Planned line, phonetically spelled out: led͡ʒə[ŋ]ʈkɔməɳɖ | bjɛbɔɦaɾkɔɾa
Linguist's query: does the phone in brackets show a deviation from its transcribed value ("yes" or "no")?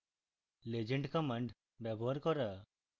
yes